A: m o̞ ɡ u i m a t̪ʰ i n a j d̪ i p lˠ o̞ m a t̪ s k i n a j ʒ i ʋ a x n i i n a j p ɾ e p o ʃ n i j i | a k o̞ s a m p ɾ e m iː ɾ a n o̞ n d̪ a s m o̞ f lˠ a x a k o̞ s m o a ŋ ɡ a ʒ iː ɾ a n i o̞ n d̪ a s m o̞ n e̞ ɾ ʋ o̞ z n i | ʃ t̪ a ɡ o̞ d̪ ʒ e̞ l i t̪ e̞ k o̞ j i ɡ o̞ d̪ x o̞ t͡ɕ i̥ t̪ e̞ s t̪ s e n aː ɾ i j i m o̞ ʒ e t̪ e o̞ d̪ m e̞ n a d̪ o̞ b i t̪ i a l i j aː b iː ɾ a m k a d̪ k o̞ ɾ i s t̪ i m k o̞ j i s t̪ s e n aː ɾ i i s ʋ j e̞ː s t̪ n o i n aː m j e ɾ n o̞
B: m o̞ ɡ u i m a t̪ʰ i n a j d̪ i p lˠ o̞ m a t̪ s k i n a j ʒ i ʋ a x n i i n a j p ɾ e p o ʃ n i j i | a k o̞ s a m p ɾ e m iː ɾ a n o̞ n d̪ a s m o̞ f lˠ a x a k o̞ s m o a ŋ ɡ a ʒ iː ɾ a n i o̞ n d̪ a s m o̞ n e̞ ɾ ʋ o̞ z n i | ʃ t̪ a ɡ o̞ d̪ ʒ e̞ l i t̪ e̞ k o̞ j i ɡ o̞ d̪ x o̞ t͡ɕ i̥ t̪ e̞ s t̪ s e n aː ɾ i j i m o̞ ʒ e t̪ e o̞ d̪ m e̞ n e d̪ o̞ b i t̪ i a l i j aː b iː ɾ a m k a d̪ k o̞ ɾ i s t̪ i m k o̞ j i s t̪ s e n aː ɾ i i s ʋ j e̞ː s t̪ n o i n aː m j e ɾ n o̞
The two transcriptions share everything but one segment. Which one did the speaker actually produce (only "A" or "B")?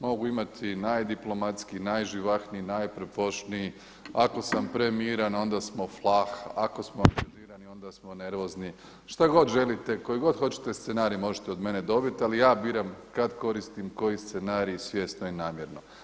B